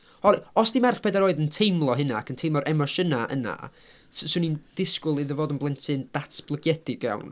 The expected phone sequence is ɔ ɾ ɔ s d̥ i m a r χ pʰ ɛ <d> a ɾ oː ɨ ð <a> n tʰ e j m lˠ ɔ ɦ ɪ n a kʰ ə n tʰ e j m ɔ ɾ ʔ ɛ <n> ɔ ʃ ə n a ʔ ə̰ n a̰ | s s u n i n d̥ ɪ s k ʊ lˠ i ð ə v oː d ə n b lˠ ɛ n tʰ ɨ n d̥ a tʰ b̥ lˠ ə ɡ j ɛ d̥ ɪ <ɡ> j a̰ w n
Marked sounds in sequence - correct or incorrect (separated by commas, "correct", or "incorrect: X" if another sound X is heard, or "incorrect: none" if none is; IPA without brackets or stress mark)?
correct, incorrect: ə, incorrect: m, correct